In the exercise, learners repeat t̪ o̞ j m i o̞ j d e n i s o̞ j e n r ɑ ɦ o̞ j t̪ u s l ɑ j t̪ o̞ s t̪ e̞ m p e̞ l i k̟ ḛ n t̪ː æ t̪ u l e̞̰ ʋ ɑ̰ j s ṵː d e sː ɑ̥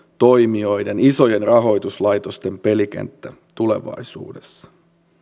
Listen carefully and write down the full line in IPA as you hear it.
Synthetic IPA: t̪ o̞ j m i o̞ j d e n i s o̞ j e n r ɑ ɦ o̞ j t̪ u s l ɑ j t̪ o̞ s t̪ e̞ m p e̞ l i k̟ ḛ n t̪ː æ t̪ u l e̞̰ ʋ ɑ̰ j s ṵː d e sː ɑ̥